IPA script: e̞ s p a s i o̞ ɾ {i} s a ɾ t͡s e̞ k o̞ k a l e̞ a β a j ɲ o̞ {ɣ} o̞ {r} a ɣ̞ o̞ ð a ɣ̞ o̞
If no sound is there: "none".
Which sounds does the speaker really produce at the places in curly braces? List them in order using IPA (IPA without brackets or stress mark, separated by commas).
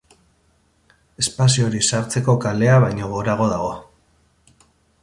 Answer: i, ɣ, ɾ